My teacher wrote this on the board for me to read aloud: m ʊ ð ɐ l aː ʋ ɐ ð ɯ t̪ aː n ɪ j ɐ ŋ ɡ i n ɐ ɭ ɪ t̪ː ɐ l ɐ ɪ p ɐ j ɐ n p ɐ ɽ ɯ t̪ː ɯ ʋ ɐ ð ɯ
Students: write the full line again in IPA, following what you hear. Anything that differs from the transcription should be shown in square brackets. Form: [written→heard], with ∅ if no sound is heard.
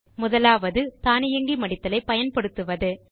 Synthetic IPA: m ʊ ð ɐ l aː ʋ ɐ ð ɯ t̪ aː n ɪ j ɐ ŋ ɡ i [n→m] ɐ [ɭ→ɽ] ɪ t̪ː ɐ l ɐ ɪ p ɐ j ɐ n p ɐ ɽ ɯ t̪ː ɯ ʋ ɐ ð ɯ